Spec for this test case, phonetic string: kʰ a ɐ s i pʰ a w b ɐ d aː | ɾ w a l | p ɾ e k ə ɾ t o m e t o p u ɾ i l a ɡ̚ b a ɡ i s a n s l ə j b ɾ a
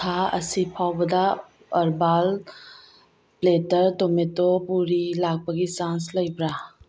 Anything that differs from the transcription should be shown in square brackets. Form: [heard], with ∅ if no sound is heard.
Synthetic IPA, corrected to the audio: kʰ a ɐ s i pʰ a w b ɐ d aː | ɾ [b] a l | p [l] e [t] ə ɾ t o m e t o p u ɾ i l a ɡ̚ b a ɡ i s a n s l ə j b ɾ a